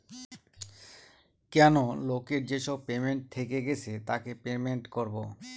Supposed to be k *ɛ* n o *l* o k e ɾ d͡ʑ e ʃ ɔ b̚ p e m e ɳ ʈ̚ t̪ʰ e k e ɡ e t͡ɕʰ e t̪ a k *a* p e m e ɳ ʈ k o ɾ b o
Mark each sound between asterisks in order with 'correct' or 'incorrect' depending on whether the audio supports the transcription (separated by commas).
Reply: correct, correct, incorrect